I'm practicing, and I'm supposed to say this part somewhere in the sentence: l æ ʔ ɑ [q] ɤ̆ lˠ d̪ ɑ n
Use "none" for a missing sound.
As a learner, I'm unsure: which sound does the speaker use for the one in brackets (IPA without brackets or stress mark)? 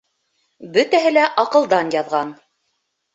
q